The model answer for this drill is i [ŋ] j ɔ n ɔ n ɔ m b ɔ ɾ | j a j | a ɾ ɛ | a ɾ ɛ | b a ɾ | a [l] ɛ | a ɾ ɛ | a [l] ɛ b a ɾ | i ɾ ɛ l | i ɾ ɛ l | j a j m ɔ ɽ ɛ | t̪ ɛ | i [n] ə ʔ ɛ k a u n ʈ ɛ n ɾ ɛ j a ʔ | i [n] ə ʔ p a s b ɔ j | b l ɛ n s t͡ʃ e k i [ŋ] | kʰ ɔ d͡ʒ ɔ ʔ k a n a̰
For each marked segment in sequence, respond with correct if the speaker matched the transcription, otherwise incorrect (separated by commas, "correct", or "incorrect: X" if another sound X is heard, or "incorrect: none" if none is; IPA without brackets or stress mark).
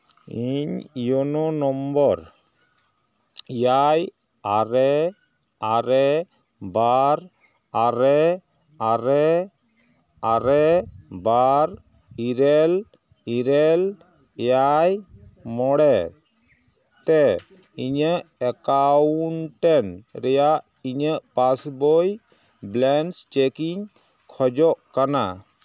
incorrect: ɲ, incorrect: ɾ, incorrect: ɾ, incorrect: ɲ, incorrect: ɲ, incorrect: ɲ